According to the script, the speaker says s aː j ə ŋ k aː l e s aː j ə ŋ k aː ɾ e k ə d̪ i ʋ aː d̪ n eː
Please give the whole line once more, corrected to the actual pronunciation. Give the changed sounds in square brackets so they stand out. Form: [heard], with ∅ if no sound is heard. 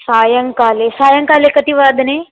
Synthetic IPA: s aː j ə ŋ k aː l e s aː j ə ŋ k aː [l] e k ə [t̪] i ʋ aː d̪ n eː